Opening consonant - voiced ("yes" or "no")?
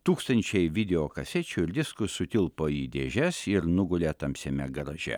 no